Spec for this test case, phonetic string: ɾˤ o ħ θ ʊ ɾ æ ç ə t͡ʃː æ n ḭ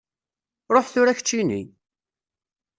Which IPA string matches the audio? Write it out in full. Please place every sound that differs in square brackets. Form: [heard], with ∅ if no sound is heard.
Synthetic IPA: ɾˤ o ħ θ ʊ ɾ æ ç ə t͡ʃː [i] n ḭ